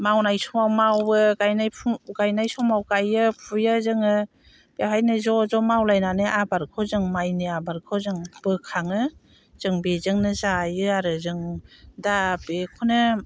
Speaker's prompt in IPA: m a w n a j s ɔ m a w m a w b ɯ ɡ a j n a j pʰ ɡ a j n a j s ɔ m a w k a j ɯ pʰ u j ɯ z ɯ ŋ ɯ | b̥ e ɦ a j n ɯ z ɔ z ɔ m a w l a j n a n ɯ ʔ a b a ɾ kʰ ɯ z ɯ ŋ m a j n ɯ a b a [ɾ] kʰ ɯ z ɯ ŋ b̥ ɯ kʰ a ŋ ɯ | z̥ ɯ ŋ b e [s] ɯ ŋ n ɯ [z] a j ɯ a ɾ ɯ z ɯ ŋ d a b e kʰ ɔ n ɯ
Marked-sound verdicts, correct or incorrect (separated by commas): correct, incorrect, correct